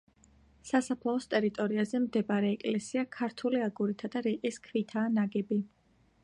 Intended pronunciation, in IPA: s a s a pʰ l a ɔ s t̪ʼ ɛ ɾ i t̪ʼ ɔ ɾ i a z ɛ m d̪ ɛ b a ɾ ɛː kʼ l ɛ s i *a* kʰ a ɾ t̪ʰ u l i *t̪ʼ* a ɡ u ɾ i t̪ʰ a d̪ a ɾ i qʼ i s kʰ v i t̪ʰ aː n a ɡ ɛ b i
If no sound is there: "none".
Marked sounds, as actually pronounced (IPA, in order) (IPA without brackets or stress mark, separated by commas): a, none